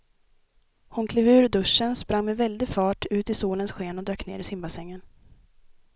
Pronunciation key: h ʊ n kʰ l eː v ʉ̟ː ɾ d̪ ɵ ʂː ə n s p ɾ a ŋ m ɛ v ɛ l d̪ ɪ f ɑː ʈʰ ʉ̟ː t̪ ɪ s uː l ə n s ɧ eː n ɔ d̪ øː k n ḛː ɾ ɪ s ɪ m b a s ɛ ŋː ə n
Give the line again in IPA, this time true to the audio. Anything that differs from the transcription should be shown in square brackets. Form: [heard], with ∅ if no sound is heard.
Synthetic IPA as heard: h ʊ n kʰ l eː v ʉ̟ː ɾ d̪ ɵ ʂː ə n s p ɾ a ŋ m ɛ v ɛ l d̪ ɪ f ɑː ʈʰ ʉ̟ː t̪ ɪ s uː l ə n s ɧ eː n ɔ d̪ øː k n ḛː ɾ ɪ s ɪ m b a s ɛ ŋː ə n

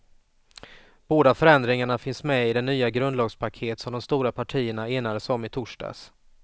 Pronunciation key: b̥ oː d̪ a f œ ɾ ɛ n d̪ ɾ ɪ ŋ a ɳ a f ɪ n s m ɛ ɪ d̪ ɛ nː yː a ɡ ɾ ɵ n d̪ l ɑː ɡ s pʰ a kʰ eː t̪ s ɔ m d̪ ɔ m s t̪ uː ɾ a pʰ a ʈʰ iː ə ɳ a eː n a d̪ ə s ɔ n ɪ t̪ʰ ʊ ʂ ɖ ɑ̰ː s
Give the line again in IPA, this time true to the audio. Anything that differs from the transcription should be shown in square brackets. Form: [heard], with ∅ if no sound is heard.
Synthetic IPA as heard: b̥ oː d̪ a f œ ɾ ɛ n d̪ ɾ ɪ ŋ a ɳ a f ɪ n s m ɛ ɪ d̪ ɛ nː yː a ɡ ɾ ɵ n d̪ l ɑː ɡ s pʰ a kʰ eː t̪ s ɔ m d̪ ɔ m s t̪ uː ɾ a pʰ a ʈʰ iː ə ɳ a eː n a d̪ ə s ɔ [m] ɪ t̪ʰ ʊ ʂ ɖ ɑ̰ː s

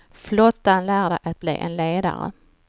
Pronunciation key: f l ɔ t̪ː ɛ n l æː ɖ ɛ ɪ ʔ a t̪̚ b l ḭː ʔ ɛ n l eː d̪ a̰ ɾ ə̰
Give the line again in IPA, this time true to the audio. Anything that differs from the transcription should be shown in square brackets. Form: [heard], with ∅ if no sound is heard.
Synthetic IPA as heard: f l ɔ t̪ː [a] n l æː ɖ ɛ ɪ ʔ a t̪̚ b l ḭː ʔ ɛ n l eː d̪ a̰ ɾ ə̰

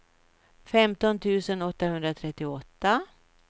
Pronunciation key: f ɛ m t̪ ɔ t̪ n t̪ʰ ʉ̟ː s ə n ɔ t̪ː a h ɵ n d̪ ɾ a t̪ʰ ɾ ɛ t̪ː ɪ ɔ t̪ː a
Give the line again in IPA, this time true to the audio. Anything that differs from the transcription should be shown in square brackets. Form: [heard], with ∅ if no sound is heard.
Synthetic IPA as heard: f ɛ m t̪ ɔ [∅] n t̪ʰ ʉ̟ː s ə n ɔ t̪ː a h ɵ n d̪ ɾ a t̪ʰ ɾ ɛ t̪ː ɪ ɔ t̪ː a

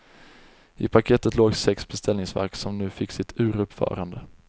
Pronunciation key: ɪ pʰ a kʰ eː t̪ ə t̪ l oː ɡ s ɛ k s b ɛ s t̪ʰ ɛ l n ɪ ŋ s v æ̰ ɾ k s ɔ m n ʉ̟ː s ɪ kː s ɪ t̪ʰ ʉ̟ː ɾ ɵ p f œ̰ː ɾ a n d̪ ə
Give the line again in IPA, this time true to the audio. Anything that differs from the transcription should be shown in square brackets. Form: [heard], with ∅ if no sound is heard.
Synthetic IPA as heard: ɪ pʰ a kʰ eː t̪ ə t̪ l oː ɡ s ɛ k s b ɛ s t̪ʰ ɛ l n ɪ ŋ s v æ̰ ɾ k s ɔ m n ʉ̟ː [f] ɪ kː s ɪ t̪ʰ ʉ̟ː ɾ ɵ p f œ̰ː ɾ a n d̪ ə

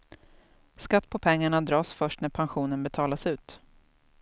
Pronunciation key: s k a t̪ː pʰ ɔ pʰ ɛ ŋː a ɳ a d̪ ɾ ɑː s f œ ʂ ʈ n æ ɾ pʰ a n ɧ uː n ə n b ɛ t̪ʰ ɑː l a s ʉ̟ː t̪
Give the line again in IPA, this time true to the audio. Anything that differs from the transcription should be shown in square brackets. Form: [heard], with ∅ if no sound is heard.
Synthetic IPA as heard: s k a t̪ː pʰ ɔ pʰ ɛ ŋː a ɳ a d̪ ɾ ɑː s f œ ʂ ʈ n æ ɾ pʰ a n ɧ uː n ə n b ɛ t̪ʰ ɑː l a s ʉ̟ː t̪

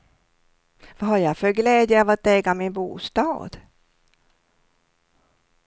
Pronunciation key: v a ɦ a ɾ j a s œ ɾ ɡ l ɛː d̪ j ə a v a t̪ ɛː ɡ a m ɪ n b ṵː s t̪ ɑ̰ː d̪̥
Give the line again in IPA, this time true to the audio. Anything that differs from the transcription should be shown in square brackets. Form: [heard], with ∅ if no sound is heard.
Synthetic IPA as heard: v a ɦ a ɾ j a [f] œ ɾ ɡ l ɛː d̪ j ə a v a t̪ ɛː ɡ a m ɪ n b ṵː s t̪ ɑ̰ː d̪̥

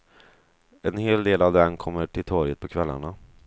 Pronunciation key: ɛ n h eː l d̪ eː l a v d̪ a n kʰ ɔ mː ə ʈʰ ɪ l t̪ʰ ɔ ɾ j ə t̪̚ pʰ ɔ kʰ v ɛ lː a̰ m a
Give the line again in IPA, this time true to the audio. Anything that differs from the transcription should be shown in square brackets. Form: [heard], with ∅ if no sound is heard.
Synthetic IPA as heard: ɛ n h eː l d̪ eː l a v d̪ [ɛ] n kʰ ɔ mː ə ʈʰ ɪ l t̪ʰ ɔ ɾ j ə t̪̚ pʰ ɔ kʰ v ɛ lː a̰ [ɳ] a

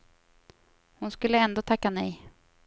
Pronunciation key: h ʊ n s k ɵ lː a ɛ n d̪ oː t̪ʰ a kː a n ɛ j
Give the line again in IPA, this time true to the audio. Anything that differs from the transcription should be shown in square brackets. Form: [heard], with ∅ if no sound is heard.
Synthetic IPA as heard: h ʊ n s k ɵ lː [ə] ɛ n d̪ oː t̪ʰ a kː a n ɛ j

